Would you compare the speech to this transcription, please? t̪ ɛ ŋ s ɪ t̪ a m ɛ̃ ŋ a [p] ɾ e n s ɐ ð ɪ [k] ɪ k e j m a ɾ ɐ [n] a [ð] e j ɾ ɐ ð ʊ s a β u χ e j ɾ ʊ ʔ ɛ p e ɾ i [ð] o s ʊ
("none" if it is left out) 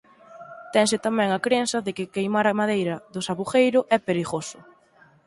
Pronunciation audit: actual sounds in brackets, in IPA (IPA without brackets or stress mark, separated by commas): k, k, m, ð, ɣ